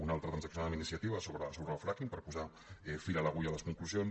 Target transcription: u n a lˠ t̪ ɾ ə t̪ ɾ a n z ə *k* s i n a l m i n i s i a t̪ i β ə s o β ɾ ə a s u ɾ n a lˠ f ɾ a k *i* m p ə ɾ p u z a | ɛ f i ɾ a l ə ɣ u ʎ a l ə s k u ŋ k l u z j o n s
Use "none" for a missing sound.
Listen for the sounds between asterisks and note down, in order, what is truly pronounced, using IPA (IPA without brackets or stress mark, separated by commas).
k, i